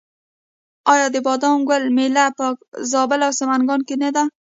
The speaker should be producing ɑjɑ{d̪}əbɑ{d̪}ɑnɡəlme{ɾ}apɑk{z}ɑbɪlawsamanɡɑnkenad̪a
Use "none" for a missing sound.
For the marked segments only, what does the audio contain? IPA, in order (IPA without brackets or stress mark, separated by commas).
d̪, d̪, l, z